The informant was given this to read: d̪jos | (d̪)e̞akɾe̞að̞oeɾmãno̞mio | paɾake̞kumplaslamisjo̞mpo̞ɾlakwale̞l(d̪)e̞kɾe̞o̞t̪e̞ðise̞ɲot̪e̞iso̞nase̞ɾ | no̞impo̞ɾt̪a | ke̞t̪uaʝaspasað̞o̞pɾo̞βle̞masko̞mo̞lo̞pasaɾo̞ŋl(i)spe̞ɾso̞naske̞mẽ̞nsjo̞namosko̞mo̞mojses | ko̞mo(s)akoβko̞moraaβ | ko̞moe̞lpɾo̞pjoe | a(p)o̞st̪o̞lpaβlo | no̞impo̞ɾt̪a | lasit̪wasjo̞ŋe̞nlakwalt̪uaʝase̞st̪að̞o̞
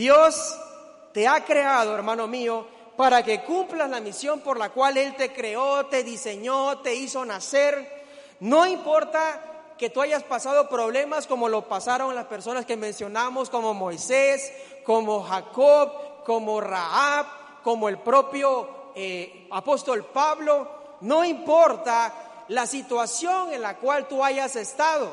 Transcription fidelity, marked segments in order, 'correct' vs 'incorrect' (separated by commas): incorrect, incorrect, incorrect, incorrect, correct